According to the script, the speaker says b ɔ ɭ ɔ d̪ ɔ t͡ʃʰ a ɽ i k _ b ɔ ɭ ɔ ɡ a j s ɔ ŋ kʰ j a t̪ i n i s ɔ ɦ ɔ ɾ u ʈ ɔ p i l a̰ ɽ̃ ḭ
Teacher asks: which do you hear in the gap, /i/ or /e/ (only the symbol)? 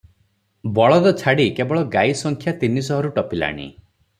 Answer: e